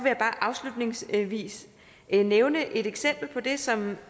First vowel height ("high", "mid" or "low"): mid